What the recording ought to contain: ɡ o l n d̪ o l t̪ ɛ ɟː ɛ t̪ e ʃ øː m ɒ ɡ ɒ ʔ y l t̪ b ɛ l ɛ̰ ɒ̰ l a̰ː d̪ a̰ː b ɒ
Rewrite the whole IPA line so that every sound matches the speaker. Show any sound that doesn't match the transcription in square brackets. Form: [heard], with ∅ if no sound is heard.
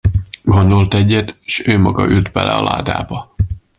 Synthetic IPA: ɡ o [∅] n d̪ o l t̪ ɛ ɟː ɛ t̪ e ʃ øː m ɒ ɡ ɒ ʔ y l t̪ b ɛ l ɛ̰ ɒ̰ l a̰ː d̪ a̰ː b ɒ